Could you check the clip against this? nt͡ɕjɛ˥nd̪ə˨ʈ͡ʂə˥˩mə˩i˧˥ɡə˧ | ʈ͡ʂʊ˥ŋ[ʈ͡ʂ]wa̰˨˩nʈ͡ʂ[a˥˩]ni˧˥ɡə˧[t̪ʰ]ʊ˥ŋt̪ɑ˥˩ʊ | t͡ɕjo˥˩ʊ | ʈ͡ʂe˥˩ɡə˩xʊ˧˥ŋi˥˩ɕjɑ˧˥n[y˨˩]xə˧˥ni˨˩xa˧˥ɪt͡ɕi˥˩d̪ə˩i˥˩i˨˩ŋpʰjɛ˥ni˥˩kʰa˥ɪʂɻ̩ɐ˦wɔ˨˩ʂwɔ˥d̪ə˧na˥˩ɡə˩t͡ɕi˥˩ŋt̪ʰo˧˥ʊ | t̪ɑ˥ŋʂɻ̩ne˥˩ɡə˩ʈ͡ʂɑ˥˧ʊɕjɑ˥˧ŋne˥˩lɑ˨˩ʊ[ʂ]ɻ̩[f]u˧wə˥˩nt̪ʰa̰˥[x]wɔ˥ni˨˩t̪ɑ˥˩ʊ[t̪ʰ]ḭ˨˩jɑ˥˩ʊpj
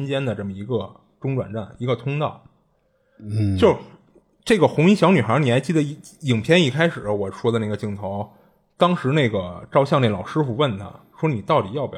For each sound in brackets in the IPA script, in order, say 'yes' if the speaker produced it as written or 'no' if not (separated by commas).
yes, yes, yes, yes, yes, yes, no, no